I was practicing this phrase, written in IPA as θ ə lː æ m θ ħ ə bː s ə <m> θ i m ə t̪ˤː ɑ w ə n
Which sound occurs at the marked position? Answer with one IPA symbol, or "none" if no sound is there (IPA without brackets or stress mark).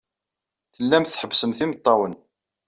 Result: m